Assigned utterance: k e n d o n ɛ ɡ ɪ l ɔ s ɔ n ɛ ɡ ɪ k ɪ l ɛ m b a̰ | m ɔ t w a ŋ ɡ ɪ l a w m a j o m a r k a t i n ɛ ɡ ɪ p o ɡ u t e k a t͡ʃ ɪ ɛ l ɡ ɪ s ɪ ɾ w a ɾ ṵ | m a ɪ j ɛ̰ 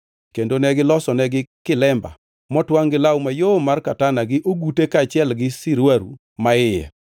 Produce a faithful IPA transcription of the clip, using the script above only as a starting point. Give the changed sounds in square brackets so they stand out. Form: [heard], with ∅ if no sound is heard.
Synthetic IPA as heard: k e n d o n ɛ ɡ ɪ l ɔ s ɔ n ɛ ɡ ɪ k ɪ l ɛ m b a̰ | m ɔ t w a ŋ ɡ ɪ l a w m a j o m a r k a t [a] n [a] ɡ ɪ [ʔ] o ɡ u t e k a t͡ʃ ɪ ɛ l ɡ ɪ s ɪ ɾ w a ɾ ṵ | m a ɪ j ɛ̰

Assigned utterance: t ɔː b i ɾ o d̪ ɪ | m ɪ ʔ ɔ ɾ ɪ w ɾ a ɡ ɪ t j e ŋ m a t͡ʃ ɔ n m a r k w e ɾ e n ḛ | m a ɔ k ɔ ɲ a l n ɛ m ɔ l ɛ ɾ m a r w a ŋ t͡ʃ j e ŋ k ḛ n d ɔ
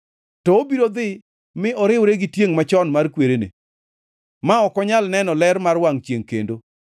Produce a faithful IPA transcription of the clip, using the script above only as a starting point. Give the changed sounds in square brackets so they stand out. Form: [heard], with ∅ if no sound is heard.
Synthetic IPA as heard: t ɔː b i ɾ o d̪ ɪ | m ɪ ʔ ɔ ɾ ɪ w ɾ [e] ɡ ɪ t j e ŋ m a t͡ʃ ɔ n m a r k w e ɾ e n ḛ | m a ɔ k ɔ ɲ a l n ɛ [n] ɔ l ɛ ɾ m a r w a ŋ t͡ʃ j e ŋ k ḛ n d [o]

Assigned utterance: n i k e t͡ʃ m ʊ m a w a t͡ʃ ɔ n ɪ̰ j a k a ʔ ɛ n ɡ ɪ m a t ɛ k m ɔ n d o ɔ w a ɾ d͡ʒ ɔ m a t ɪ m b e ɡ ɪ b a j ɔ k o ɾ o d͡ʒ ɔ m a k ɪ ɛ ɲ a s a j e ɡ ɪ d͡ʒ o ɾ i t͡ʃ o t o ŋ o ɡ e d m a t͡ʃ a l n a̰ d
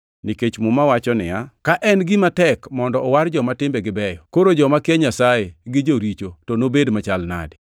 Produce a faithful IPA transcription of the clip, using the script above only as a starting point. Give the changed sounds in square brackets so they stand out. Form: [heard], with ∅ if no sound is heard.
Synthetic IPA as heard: n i k e t͡ʃ m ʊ m a w a t͡ʃ ɔ n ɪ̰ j a k a ʔ ɛ n ɡ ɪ m a t ɛ k m ɔ n d [ɔ] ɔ w a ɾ d͡ʒ ɔ m a t ɪ m b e ɡ ɪ b [ɛ] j ɔ k o ɾ o d͡ʒ ɔ m a k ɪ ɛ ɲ a s a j e ɡ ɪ d͡ʒ o ɾ i t͡ʃ o t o [n] o [b] e d m a t͡ʃ a l n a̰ d

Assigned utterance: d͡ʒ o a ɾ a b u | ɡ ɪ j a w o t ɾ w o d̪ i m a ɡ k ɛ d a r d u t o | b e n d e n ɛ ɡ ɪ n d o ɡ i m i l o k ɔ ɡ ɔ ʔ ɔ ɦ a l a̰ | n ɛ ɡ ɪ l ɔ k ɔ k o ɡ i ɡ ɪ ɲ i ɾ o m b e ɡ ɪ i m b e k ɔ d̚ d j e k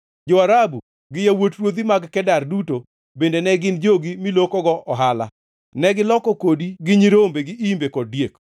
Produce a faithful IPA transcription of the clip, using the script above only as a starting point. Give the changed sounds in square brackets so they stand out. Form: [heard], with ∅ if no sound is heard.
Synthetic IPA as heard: d͡ʒ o a ɾ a b u | ɡ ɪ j a w o t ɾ w o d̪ i m a ɡ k ɛ d a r d u t o | b e n d e n ɛ ɡ ɪ n [d͡ʒ] o ɡ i m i l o k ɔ ɡ ɔ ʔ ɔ ɦ a l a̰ | n ɛ ɡ ɪ l ɔ k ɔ k o [d] i ɡ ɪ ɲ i ɾ o m b e ɡ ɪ i m b e k ɔ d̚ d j e k

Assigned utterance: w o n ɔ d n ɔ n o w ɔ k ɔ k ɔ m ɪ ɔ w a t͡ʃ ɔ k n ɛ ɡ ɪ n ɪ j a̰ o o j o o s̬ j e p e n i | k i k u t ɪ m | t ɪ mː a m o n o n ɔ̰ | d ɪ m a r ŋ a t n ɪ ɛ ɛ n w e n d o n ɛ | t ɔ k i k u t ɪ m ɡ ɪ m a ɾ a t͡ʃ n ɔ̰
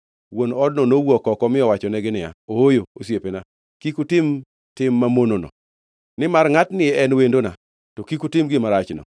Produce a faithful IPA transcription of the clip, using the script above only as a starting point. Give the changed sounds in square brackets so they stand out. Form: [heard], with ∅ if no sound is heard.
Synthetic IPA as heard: w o n ɔ d n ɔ n o w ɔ k ɔ k ɔ m ɪ ɔ w a t͡ʃ ɔ [∅] n ɛ ɡ ɪ n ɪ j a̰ o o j o o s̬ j e p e n [a] | k i k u t ɪ m | t ɪ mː a m o n o n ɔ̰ | [n] ɪ m a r ŋ a t n ɪ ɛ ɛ n w e n d o n [a] | t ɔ k i k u t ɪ m ɡ ɪ m a ɾ a t͡ʃ n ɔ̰

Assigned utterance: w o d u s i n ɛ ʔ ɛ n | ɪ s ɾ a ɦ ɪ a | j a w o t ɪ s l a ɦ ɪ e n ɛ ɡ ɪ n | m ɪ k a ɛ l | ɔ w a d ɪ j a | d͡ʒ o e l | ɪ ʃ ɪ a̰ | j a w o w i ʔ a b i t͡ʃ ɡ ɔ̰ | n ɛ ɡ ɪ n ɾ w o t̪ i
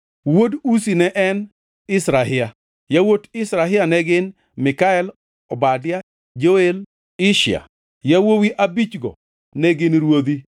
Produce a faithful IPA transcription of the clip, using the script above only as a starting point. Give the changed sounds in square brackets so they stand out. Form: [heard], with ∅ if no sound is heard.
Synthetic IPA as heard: w o d u s i n ɛ ʔ ɛ n | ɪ s ɾ a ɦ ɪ a | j a w o t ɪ s [ɾ] a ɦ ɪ [a] n ɛ ɡ ɪ n | m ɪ k a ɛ l | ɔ [b] a d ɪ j a | d͡ʒ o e l | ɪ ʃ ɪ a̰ | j a w o w i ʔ a b i t͡ʃ ɡ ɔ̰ | n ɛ ɡ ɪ n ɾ w o [d̪] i

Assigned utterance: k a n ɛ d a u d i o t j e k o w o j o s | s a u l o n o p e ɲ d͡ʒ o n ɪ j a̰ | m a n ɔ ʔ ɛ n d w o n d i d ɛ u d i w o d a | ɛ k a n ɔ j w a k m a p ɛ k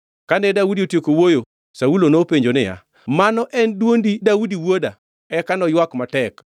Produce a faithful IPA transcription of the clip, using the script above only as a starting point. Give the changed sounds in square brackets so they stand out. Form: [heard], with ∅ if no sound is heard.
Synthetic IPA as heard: k a n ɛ d a u d i o t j e k o w o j o [∅] | s a u l o n o p e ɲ d͡ʒ o n ɪ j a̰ | m a n ɔ ʔ ɛ n d w o n d i d [a] u d i w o d a | ɛ k a n ɔ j w a k m a [t] ɛ k

